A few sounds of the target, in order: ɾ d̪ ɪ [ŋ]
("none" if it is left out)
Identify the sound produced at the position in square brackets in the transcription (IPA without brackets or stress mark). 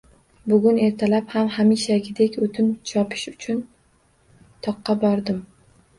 m